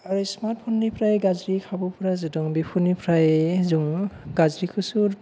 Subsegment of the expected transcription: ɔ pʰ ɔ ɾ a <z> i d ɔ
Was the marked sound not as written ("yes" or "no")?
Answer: no